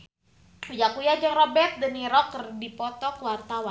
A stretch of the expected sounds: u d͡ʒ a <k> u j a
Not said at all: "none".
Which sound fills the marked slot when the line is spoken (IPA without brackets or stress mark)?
k